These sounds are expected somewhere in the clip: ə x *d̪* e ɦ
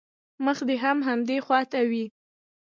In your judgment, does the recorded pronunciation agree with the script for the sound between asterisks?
yes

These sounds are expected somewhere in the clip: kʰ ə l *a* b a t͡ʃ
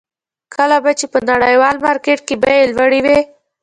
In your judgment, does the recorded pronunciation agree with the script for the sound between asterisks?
yes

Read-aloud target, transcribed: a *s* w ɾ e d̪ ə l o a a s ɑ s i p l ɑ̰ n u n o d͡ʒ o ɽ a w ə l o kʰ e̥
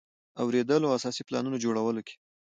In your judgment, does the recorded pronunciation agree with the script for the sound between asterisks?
no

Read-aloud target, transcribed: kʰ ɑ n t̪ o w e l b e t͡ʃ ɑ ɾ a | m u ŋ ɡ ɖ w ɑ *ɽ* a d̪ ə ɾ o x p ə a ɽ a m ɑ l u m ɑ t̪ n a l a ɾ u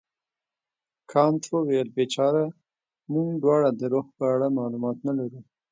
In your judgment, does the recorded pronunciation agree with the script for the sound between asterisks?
yes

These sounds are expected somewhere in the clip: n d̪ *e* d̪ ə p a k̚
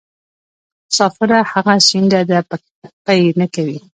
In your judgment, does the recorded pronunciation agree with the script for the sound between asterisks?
no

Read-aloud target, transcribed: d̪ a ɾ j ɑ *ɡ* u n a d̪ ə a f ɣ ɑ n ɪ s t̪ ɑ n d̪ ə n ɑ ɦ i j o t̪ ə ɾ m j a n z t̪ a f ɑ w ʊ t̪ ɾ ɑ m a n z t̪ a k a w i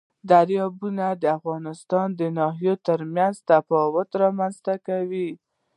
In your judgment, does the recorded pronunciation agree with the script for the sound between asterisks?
no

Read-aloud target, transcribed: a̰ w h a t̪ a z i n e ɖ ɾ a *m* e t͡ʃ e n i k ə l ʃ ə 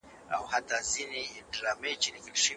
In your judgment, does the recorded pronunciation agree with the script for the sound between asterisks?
yes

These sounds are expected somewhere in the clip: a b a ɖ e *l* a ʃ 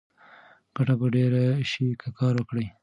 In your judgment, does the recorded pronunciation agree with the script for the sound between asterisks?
no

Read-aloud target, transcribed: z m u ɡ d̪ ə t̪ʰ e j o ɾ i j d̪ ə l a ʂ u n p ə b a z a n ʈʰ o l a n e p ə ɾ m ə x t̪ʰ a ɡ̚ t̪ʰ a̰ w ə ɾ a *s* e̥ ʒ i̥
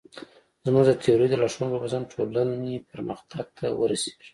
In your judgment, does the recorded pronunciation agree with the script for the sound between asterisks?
yes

